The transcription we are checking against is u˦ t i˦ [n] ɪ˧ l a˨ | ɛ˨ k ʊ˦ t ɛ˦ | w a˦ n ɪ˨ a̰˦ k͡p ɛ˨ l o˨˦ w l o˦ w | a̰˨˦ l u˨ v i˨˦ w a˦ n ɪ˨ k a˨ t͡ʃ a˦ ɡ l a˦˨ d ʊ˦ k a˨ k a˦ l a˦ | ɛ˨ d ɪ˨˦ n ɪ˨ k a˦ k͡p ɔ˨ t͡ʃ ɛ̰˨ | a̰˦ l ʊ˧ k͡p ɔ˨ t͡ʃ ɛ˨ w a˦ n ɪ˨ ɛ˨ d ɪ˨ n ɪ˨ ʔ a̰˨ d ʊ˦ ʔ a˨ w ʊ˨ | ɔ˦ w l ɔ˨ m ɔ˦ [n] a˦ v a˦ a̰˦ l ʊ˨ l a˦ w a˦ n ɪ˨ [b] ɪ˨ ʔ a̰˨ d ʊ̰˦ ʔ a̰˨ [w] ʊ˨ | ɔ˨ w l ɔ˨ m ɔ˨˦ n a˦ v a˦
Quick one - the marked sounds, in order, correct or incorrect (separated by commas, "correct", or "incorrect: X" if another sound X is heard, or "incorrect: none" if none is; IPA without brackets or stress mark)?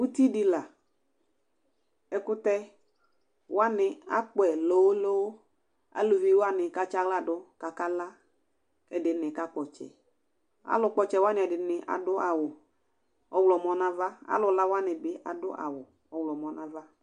incorrect: d, correct, correct, correct